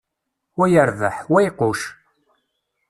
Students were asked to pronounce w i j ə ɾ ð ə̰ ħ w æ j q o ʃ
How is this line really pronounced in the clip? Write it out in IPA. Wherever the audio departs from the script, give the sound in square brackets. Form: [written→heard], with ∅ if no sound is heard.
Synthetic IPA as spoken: w [i→æ] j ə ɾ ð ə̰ ħ w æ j q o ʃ